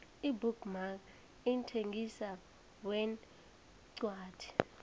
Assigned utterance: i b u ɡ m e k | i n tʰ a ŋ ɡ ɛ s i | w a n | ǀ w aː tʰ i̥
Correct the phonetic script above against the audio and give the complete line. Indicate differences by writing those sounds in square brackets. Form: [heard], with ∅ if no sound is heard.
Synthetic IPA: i b u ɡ m [a] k | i n tʰ [e] ŋ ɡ [i] s [a] | w [ɛ] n | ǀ w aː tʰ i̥